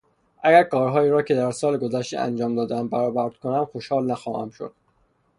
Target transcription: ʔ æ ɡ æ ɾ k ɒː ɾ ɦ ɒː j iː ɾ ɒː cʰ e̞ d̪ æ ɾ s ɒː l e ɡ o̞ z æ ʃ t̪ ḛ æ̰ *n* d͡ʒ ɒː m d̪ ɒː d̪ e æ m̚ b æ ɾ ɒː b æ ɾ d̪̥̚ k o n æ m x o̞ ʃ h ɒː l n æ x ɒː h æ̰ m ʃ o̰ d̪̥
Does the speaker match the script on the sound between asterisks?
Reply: yes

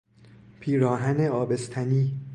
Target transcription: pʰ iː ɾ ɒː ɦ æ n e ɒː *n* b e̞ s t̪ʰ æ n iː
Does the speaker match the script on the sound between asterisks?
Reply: no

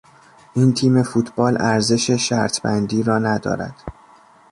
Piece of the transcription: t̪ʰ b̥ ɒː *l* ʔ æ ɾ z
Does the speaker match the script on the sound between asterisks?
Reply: yes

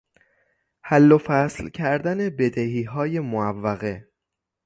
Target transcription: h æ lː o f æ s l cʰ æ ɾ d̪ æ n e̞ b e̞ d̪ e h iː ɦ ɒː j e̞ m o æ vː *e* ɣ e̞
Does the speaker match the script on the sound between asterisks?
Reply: no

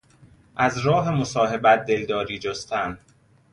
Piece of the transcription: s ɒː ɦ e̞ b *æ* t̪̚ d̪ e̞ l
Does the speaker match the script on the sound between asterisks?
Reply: yes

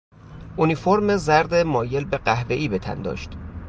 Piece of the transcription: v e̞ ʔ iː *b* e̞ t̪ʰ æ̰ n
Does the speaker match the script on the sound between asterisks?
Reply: yes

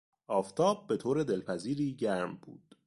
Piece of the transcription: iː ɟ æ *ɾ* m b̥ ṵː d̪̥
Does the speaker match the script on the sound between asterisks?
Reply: yes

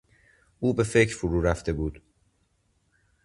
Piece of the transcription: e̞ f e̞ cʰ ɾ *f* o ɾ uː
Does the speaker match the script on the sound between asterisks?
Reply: yes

